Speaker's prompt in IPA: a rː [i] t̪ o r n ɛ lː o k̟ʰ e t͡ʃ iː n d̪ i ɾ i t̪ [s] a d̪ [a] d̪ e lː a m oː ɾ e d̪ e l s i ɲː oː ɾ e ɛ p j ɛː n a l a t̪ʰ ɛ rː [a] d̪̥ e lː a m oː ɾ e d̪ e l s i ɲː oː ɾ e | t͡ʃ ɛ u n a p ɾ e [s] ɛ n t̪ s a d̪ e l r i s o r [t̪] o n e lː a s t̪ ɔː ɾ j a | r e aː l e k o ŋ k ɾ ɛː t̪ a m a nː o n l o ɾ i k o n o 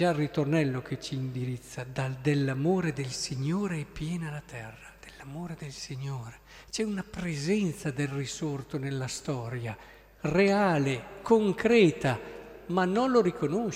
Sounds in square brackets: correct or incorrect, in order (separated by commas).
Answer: correct, incorrect, correct, correct, incorrect, correct